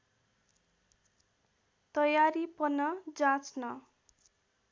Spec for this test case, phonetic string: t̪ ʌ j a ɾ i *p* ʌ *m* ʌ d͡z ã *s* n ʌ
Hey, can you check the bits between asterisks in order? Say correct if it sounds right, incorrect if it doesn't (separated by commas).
correct, incorrect, incorrect